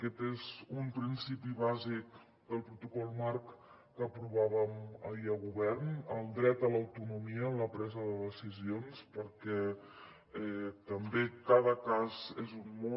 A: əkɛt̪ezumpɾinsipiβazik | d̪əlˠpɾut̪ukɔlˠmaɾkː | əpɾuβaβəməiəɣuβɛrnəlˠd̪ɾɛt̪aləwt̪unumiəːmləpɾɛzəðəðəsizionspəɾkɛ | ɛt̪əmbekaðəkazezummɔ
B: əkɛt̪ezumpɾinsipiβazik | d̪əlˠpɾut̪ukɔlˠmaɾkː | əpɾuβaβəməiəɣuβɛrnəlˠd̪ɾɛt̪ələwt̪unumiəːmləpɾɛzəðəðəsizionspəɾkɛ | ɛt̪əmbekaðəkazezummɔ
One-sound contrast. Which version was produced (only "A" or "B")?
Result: B